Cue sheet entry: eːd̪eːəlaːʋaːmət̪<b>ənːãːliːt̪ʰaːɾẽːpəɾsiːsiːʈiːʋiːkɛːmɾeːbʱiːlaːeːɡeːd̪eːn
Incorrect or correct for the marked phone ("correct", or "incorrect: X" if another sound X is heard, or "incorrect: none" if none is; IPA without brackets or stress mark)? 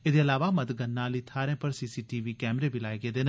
incorrect: ɡ